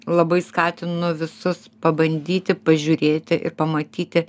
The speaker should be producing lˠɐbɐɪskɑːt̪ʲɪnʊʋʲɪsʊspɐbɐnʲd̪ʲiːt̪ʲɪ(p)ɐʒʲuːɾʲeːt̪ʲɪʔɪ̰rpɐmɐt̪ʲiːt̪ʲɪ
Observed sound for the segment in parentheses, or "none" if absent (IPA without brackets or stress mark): p